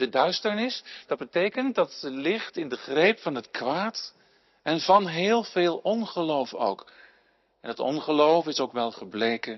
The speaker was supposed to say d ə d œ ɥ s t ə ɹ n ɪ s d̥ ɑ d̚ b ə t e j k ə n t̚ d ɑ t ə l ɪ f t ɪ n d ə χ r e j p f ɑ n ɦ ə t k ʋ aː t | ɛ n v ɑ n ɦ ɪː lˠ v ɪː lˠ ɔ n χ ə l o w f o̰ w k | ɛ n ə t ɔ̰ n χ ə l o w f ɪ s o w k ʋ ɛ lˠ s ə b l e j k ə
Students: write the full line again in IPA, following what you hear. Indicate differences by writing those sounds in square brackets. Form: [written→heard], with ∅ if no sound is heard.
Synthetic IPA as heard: d ə d œ ɥ s t ə ɹ n ɪ s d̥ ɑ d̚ b ə t e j k ə n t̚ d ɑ t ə l ɪ [f→χ] t ɪ n d ə χ r e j p f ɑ n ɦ ə t k ʋ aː t | ɛ n v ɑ n ɦ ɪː lˠ v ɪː lˠ ɔ n χ ə l o w f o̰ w k | ɛ n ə t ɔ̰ n χ ə l o w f ɪ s o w k ʋ ɛ lˠ [s→χ] ə b l e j k ə